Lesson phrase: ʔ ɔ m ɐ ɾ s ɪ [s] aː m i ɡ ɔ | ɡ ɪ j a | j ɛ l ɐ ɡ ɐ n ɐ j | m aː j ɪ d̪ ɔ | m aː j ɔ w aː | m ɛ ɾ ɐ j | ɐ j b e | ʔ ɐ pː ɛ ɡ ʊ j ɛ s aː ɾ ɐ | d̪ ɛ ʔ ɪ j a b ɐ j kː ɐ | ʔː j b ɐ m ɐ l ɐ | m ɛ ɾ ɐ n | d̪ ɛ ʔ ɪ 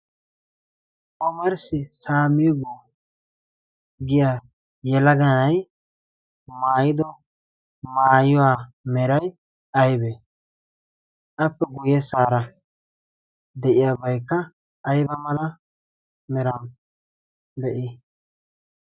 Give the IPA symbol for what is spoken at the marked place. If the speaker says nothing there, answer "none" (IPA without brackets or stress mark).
s